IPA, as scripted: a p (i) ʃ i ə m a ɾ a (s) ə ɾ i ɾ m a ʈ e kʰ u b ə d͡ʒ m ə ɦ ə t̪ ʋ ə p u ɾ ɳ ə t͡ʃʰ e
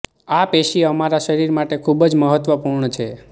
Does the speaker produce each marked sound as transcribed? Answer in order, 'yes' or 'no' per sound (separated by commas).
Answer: no, no